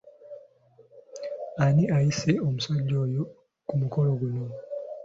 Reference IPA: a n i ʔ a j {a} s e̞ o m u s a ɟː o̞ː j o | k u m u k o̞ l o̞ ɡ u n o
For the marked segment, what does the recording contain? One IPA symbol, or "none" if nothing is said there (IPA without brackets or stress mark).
i